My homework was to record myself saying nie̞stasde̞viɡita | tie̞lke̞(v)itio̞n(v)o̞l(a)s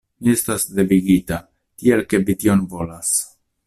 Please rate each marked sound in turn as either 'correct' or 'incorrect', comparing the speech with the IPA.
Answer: correct, correct, correct

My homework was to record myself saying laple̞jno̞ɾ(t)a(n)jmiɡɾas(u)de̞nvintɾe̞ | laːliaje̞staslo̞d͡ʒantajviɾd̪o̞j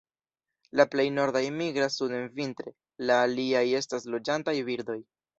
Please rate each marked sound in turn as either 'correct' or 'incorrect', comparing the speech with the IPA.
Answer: incorrect: d, incorrect: none, correct

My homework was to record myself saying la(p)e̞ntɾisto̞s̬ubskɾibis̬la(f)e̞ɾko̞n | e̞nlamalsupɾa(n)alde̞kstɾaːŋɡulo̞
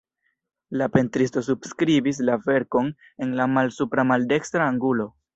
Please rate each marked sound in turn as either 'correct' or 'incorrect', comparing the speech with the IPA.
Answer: correct, incorrect: v, incorrect: m

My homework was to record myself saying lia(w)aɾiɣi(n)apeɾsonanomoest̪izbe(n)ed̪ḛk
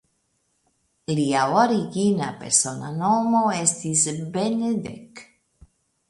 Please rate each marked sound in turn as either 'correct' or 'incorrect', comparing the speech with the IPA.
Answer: correct, correct, correct

